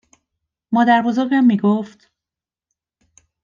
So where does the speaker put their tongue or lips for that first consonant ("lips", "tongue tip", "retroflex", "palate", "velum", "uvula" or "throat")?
lips